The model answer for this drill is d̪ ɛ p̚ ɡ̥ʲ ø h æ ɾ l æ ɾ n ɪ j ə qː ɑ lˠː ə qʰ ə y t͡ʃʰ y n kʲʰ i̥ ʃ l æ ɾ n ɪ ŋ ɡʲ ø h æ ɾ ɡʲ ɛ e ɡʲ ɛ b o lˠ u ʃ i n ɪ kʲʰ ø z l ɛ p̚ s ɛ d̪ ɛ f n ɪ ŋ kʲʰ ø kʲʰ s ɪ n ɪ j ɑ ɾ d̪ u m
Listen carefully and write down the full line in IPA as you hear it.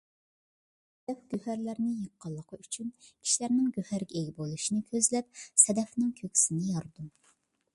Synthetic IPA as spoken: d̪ ɛ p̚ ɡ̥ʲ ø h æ ɾ l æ ɾ n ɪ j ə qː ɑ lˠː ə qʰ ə y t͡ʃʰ y n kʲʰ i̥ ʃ l æ ɾ n ɪ ŋ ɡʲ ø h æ ɾ ɡʲ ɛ e ɡʲ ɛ b o lˠ u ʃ i n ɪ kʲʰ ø z l ɛ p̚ s ɛ d̪ ɛ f n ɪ ŋ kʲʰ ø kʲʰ s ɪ n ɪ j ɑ ɾ d̪ u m